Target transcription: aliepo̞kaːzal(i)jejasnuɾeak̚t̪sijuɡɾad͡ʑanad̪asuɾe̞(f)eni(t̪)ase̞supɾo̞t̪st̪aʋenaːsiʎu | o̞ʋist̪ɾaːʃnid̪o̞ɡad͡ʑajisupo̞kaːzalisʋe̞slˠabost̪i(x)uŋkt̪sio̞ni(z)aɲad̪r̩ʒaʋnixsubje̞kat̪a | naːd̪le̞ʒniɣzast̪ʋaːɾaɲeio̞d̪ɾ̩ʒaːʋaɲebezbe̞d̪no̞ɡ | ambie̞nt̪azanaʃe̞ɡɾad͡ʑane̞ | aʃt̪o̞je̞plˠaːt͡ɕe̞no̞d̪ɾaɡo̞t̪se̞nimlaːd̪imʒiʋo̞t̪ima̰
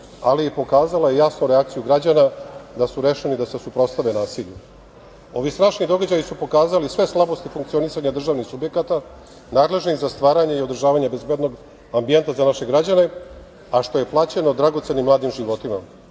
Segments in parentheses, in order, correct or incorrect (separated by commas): incorrect, incorrect, incorrect, incorrect, incorrect